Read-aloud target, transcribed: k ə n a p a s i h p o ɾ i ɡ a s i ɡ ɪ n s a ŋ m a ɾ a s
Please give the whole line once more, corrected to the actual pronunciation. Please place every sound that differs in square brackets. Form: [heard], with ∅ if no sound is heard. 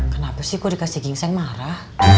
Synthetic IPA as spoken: k ə n a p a s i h [k] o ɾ i [k] a s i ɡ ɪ [ŋ] s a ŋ m a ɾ a [h]